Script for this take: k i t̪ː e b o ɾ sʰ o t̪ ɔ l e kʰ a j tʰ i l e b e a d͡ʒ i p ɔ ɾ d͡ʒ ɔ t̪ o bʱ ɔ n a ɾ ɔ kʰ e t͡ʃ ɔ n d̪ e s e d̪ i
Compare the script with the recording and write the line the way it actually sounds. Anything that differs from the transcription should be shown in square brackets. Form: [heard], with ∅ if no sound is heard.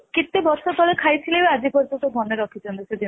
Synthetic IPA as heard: k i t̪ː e b [ɔ] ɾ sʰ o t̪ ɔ l e kʰ a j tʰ i l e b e a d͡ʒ i p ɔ ɾ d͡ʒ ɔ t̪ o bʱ ɔ n [e] ɾ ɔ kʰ [i] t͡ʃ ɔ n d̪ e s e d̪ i